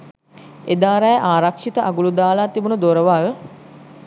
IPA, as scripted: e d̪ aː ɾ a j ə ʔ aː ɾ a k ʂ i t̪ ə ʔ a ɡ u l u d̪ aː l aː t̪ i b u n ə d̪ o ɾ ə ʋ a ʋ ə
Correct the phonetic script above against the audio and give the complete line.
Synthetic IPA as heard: e d̪ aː ɾ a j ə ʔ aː ɾ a k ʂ i t̪ ə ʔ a ɡ u l u d̪ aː l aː t̪ i b u n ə d̪ o ɾ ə ʋ a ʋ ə